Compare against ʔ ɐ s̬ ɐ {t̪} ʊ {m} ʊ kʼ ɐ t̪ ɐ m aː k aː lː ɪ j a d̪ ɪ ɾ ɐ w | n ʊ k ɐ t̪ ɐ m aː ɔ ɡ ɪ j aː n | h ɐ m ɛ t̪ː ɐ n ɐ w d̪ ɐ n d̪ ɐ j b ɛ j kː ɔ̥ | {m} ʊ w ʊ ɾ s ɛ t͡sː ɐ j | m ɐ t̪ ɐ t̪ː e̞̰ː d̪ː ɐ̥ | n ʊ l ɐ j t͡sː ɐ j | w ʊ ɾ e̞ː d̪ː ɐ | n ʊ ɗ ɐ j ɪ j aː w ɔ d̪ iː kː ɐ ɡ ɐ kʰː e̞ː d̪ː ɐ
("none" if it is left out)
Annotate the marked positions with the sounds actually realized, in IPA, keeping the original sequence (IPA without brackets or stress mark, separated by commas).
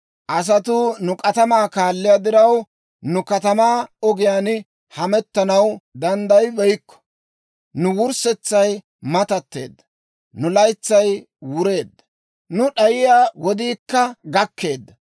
t̪, n, n